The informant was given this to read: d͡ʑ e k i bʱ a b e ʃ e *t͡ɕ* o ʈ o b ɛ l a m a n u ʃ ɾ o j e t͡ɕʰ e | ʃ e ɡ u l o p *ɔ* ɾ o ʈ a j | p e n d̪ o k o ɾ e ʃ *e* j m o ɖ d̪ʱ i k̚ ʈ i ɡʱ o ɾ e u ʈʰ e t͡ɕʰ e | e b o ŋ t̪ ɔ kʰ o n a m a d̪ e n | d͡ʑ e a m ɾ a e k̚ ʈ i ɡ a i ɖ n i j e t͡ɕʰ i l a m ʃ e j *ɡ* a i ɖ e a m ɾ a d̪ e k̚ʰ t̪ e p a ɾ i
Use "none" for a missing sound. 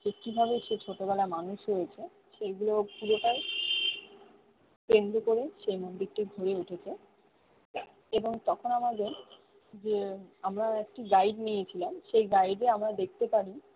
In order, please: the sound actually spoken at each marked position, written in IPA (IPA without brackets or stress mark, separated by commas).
t͡ɕʰ, u, e, ɡ